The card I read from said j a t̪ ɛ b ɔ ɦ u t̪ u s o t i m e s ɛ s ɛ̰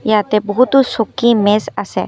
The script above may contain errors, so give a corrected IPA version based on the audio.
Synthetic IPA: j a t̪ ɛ b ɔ ɦ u t̪ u s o k i m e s a s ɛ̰